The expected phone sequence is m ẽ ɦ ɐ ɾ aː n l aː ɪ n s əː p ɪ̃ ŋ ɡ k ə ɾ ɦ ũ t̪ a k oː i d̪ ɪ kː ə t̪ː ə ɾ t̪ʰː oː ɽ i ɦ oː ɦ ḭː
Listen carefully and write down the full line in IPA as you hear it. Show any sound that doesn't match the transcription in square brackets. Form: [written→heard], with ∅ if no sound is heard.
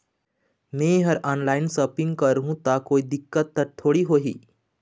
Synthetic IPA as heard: m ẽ ɦ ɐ ɾ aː n l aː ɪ n s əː p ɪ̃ ŋ ɡ k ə ɾ ɦ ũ t̪ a k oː i d̪ ɪ kː ə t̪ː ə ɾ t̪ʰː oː ɽ i ɦ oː ɦ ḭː